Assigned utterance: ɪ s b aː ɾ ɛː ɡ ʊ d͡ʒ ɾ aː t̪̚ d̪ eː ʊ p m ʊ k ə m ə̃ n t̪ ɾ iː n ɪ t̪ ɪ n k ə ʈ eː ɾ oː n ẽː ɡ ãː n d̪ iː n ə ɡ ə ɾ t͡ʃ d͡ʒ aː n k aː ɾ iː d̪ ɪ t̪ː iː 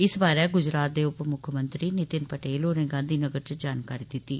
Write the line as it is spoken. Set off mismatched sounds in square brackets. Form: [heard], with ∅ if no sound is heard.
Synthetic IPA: ɪ s b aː ɾ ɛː ɡ ʊ d͡ʒ ɾ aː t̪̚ d̪ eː ʊ p m ʊ [kʰ] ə m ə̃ n t̪ ɾ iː n ɪ t̪ ɪ n [p] ə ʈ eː [l] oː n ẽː ɡ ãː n d̪ iː n ə ɡ ə ɾ t͡ʃ d͡ʒ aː n k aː ɾ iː d̪ ɪ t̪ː iː